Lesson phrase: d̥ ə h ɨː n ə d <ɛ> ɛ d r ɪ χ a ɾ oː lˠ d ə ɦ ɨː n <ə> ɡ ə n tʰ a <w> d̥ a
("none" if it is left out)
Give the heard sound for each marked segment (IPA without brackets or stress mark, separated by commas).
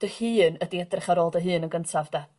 i, ə, v